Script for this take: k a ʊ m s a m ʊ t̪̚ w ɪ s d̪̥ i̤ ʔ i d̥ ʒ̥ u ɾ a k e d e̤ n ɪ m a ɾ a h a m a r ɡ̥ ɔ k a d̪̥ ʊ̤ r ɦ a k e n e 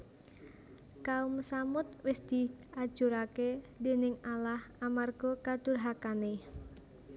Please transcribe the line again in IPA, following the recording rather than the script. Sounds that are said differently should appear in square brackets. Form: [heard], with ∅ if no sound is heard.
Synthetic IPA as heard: k a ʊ m s a m ʊ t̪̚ w ɪ s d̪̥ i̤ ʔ [a] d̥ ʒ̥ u ɾ a k e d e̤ n ɪ [ŋ] a [l] a h a m a r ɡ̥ ɔ k a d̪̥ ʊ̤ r ɦ a k [a] n e